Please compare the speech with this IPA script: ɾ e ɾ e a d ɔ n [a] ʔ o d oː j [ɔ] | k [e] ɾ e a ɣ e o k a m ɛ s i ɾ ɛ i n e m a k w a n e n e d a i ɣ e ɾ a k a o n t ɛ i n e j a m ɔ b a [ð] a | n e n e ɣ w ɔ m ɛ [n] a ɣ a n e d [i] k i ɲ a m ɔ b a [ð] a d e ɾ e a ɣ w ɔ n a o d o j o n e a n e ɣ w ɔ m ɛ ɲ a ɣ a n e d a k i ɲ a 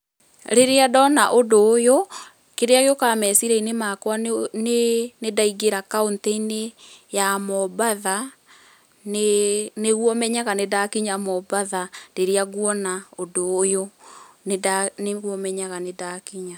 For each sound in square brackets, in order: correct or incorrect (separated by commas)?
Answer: correct, incorrect, correct, correct, incorrect, incorrect, correct